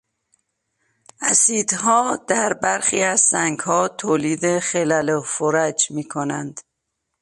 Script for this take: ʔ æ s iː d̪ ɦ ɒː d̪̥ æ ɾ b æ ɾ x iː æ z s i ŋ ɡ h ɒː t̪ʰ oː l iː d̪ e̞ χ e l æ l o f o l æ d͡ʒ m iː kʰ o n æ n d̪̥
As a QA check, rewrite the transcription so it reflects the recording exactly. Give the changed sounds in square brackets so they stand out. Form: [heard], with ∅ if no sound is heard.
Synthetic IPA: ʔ æ s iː d̪ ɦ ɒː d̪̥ æ ɾ b æ ɾ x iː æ z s [æ] ŋ ɡ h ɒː t̪ʰ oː l iː d̪ e̞ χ e l æ l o f o [ɾ] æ d͡ʒ m iː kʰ o n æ n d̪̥

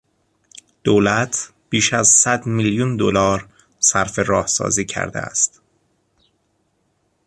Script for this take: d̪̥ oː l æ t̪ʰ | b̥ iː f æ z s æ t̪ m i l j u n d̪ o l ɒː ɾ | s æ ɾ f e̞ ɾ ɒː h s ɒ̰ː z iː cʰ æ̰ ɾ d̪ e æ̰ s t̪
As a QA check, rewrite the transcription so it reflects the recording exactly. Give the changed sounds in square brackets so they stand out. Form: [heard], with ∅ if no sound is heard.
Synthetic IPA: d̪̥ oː l æ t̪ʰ | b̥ iː [ʃ] æ z s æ [d̪] m i l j u n d̪ o l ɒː ɾ | s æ ɾ f e̞ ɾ ɒː h s ɒ̰ː z iː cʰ æ̰ ɾ d̪ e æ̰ s t̪

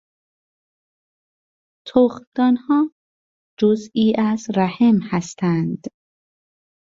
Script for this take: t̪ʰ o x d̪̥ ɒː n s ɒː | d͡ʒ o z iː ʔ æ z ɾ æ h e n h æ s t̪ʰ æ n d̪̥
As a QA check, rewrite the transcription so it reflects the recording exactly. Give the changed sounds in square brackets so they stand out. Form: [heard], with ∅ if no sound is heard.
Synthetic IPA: t̪ʰ o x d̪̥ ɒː n [h] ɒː | d͡ʒ o z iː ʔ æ z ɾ æ h e [m] h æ s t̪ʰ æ n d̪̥

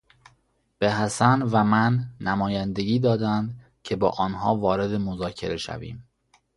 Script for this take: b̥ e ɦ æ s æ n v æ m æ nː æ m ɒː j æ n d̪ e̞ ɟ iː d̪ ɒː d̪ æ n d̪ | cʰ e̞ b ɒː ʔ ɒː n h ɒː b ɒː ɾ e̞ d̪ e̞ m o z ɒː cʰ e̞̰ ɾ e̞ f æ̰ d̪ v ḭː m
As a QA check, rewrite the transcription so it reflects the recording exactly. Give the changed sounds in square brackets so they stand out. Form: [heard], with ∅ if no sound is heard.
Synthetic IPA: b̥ e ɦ æ s æ n v æ m æ nː æ m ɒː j æ n d̪ e̞ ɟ iː d̪ ɒː d̪ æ n d̪ | cʰ e̞ b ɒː ʔ ɒː n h ɒː [v] ɒː ɾ e̞ d̪ e̞ m o z ɒː cʰ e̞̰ ɾ e̞ [ʃ] æ̰ [∅] v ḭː m

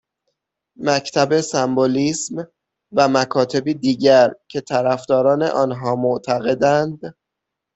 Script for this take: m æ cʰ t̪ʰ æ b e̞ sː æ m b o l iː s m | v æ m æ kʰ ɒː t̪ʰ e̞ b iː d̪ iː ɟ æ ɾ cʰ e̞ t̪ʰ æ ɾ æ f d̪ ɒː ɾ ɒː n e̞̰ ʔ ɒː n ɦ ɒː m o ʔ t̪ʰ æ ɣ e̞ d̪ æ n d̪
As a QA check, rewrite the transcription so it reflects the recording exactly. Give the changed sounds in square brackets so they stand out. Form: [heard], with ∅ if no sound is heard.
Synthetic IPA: m æ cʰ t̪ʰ æ b e̞ [s] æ m b o l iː s m | v æ m æ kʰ ɒː t̪ʰ e̞ b iː d̪ iː ɟ æ ɾ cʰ e̞ t̪ʰ æ ɾ æ f d̪ ɒː ɾ ɒː n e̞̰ ʔ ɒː n ɦ ɒː m o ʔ t̪ʰ æ ɣ e̞ d̪ æ n d̪

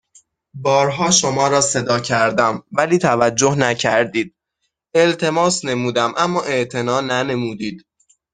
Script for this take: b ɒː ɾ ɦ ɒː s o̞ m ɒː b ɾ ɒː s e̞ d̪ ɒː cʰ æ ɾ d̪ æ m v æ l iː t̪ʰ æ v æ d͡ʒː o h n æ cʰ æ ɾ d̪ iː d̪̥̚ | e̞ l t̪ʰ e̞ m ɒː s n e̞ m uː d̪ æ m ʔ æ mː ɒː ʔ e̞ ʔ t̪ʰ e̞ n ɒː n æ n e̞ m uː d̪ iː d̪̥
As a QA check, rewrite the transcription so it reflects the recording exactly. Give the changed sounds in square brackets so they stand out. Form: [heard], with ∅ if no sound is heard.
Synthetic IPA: b ɒː ɾ ɦ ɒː [ʃ] o̞ m ɒː [∅] ɾ ɒː s e̞ d̪ ɒː cʰ æ ɾ d̪ æ m v æ l iː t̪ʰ æ v æ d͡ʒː o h n æ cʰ æ ɾ d̪ iː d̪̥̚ | e̞ l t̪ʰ e̞ m ɒː s n e̞ m uː d̪ æ m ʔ æ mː ɒː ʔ e̞ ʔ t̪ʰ e̞ n ɒː n æ n e̞ m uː d̪ iː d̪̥

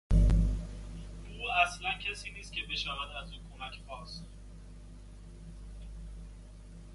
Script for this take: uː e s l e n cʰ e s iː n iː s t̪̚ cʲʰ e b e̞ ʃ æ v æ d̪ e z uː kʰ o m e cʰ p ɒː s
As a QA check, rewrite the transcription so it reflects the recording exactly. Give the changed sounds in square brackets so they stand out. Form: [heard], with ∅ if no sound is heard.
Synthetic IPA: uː [æ] s l [æ] n cʰ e s iː n iː s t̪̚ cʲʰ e b e̞ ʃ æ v æ d̪ [æ] z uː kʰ o m [æ] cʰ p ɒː s

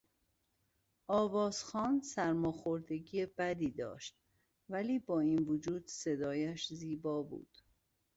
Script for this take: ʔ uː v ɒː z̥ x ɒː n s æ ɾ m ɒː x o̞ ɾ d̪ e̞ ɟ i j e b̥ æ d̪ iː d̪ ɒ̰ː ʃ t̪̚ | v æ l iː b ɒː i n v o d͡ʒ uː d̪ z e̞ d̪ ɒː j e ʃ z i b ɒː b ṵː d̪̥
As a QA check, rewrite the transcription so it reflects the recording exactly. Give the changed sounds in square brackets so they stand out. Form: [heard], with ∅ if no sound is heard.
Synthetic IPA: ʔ [ɒː] v ɒː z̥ x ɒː n s æ ɾ m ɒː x o̞ ɾ d̪ e̞ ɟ i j e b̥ æ d̪ iː d̪ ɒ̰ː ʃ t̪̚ | v æ l iː b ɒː i n v o d͡ʒ uː d̪ [s] e̞ d̪ ɒː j [æ] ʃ z [iː] b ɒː b ṵː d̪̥

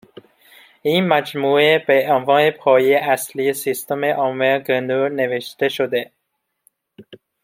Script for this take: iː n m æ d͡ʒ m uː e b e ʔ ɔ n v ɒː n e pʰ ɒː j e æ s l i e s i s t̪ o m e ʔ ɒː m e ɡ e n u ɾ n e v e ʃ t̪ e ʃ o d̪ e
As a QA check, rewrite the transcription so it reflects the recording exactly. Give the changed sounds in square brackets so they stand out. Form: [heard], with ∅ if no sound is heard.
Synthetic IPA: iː n m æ d͡ʒ m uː e b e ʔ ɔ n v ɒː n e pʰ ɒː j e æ s l i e s i s t̪ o m e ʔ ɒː m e ɡ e n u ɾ n e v e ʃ t̪ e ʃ o d̪ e

